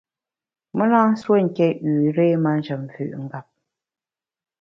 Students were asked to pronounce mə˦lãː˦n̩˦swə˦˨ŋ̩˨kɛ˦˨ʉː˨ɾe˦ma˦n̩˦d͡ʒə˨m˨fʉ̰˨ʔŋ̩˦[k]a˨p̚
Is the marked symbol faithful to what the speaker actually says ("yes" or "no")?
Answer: no